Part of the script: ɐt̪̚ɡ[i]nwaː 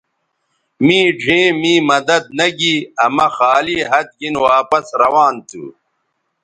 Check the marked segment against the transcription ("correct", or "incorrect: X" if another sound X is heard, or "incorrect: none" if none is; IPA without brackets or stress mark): correct